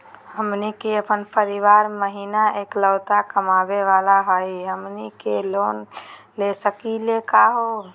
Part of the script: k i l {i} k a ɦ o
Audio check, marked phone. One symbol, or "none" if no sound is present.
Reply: e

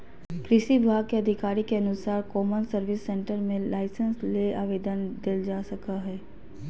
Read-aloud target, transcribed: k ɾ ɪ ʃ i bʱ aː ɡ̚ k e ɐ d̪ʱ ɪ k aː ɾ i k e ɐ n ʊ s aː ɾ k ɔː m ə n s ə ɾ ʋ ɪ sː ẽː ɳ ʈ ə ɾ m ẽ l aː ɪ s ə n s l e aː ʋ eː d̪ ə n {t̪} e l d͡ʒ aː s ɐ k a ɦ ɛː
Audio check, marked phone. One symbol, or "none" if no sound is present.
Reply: d̪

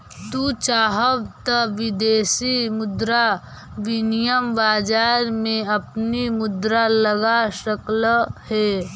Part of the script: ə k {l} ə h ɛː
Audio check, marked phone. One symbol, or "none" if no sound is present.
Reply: l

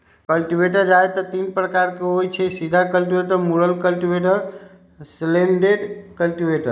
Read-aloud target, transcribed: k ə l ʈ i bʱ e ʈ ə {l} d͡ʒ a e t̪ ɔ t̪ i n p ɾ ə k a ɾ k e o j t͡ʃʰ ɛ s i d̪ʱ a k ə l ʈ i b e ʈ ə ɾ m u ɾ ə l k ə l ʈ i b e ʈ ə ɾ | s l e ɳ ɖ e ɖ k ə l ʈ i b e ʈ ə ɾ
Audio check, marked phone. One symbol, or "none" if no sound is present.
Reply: ɾ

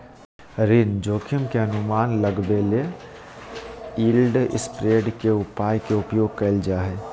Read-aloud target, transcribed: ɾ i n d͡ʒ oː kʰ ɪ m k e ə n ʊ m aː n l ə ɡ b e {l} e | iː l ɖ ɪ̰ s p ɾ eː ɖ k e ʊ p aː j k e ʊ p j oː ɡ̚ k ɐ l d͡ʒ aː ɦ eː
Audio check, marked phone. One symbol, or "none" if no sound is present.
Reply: l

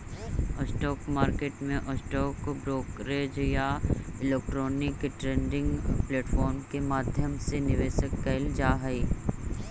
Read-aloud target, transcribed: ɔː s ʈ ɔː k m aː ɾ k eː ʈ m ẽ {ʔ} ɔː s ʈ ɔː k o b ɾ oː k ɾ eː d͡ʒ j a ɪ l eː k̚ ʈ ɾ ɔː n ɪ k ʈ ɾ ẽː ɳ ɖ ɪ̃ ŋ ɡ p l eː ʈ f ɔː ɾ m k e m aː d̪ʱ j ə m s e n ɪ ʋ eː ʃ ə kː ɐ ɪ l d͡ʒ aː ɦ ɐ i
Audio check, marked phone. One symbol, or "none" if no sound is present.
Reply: ʔ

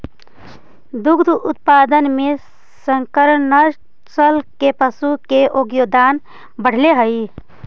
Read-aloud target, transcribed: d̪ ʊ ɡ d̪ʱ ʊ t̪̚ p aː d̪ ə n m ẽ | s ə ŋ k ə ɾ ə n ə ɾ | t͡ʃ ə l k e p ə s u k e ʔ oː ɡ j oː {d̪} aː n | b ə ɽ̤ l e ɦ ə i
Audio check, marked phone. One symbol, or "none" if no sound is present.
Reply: d̪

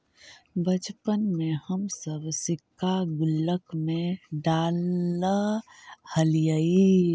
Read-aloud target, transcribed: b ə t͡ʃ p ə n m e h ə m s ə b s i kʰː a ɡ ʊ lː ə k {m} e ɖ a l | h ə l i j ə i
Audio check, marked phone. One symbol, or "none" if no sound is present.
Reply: m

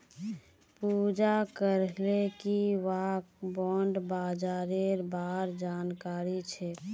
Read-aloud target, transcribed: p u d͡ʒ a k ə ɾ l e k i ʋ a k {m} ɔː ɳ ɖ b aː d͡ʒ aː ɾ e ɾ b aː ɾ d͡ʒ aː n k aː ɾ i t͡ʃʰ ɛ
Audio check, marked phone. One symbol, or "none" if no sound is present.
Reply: b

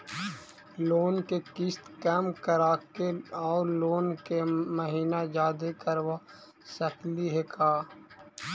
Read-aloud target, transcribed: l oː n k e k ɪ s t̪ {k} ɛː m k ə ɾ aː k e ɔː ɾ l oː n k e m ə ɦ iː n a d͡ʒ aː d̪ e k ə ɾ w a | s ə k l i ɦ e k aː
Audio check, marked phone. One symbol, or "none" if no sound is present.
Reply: k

